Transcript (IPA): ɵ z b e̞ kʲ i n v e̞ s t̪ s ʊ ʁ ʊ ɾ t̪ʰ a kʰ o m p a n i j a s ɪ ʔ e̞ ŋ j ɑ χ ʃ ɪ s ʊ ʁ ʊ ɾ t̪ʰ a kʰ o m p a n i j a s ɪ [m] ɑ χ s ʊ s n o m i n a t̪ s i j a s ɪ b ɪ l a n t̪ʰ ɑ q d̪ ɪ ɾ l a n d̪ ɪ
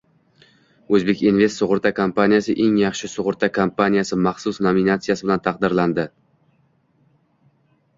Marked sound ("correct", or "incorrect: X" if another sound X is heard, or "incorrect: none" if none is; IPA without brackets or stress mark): correct